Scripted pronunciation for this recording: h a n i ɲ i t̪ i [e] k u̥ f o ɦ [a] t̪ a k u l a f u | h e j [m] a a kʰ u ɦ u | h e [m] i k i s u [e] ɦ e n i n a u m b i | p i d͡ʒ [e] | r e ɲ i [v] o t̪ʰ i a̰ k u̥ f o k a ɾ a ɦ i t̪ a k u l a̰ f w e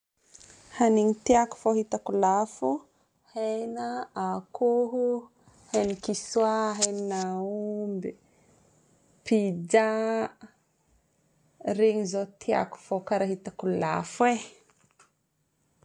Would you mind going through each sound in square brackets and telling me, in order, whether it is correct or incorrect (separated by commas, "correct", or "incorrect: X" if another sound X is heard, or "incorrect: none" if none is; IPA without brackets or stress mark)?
incorrect: a, incorrect: i, incorrect: n, incorrect: n, incorrect: a, incorrect: a, incorrect: z